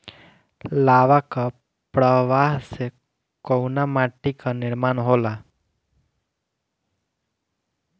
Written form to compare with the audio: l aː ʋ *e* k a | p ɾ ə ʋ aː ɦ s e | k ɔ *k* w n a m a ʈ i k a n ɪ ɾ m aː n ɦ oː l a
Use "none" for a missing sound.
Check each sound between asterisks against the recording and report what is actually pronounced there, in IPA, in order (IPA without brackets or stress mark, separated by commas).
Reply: a, none